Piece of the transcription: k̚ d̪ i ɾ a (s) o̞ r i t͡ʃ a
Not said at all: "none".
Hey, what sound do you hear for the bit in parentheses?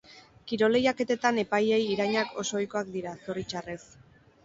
s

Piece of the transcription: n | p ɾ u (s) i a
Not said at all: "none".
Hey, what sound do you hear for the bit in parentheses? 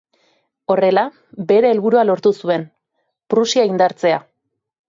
s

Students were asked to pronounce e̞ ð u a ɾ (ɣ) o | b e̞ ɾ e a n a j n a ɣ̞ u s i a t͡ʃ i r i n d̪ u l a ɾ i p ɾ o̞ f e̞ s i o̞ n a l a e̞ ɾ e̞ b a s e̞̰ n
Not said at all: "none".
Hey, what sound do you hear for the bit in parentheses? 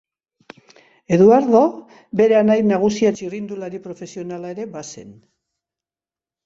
ð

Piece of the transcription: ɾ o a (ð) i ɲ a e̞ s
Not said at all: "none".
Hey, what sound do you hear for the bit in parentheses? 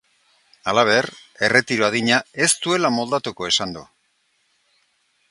ð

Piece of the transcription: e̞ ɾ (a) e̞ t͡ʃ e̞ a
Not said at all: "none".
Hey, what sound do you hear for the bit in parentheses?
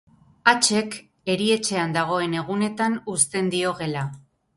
i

